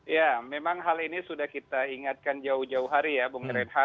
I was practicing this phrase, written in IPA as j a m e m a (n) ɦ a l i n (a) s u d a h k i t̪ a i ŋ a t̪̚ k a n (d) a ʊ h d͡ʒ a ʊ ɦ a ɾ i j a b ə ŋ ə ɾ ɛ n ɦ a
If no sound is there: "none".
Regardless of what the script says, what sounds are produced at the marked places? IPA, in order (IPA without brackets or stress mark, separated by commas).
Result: ŋ, i, d͡ʒ